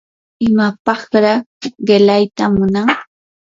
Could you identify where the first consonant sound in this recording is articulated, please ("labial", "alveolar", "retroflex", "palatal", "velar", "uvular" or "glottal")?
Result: labial